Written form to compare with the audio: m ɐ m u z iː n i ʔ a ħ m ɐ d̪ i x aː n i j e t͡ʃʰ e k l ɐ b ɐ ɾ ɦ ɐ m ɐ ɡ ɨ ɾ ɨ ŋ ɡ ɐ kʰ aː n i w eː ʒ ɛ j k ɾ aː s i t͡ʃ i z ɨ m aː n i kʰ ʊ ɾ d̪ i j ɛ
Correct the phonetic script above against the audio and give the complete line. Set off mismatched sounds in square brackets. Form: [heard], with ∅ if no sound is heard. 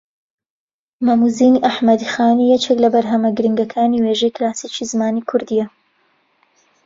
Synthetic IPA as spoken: m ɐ m u z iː n i ʔ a ħ m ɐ d̪ i x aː n i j [ɛ] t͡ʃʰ e k l ɐ b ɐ ɾ ɦ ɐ m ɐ ɡ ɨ ɾ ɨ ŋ ɡ ɐ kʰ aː n i w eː ʒ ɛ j k [l] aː s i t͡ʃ i z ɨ m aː n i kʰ ʊ ɾ d̪ i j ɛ